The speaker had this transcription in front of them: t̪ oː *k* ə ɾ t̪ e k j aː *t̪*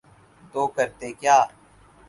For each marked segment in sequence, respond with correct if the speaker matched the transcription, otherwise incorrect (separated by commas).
correct, incorrect